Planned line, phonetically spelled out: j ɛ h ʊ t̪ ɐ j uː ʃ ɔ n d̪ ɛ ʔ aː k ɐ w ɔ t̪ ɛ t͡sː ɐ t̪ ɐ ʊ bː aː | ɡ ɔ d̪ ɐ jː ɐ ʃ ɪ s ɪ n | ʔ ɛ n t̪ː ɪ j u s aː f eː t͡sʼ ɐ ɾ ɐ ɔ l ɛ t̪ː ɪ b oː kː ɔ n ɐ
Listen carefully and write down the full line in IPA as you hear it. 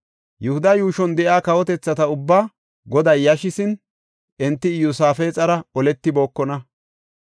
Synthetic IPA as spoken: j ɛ h ʊ d̪ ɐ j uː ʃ ɔ n d̪ ɛ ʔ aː k ɐ w ɔ t̪ ɛ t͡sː ɐ t̪ ɐ ʊ bː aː | ɡ ɔ d̪ ɐ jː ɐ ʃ ɪ s ɪ n | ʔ ɛ n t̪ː ɪ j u s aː f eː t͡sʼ ɐ ɾ ɐ ɔ l ɛ t̪ː ɪ b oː kː ɔ n ɐ